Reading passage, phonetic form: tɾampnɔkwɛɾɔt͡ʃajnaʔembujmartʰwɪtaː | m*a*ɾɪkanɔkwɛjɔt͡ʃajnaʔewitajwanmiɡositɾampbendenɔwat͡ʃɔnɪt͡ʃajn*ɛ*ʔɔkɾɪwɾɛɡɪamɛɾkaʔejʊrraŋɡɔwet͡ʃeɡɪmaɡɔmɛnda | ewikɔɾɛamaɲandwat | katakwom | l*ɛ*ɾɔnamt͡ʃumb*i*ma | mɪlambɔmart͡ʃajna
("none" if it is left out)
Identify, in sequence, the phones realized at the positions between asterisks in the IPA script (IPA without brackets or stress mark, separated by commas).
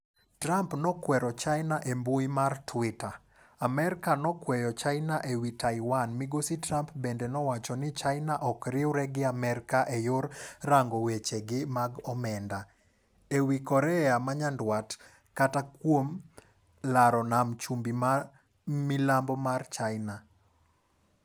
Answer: ɛ, a, a, i